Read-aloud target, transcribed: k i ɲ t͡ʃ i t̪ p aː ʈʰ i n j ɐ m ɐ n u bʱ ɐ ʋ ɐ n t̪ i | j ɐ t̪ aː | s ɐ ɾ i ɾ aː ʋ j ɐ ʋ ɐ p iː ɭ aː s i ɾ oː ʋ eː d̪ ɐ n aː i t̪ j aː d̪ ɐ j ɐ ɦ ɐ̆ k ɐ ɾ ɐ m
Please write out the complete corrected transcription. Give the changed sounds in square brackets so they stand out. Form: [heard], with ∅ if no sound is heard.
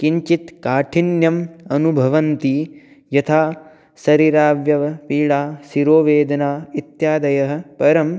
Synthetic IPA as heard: k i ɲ t͡ʃ i t̪ [k] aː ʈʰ i n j ɐ m ɐ n u bʱ ɐ ʋ ɐ n t̪ i | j ɐ [t̪ʰ] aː | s ɐ ɾ i ɾ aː ʋ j ɐ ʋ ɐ p iː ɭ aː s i ɾ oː ʋ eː d̪ ɐ n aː i t̪ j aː d̪ ɐ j ɐ ɦ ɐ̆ [p] ɐ ɾ ɐ m